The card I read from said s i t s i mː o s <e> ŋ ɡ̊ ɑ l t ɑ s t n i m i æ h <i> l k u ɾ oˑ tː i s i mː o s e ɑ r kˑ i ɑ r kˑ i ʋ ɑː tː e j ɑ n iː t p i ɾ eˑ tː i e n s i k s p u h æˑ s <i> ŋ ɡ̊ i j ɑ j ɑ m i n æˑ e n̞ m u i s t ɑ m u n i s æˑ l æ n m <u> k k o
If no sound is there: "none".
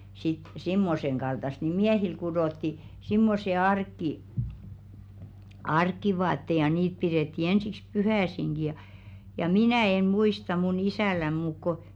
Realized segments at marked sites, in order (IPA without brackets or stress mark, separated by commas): e, i, i, uː